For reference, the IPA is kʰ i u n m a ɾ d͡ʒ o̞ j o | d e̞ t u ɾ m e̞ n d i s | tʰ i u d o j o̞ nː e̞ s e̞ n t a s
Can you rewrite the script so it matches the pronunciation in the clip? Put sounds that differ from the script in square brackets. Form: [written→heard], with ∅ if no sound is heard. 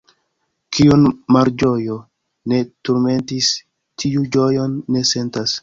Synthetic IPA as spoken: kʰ i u n m a ɾ d͡ʒ o̞ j o | [d→n] e̞ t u ɾ m e̞ n [d→t] i s | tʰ i u [d→d͡ʒ] o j o̞ nː e̞ s e̞ n t a s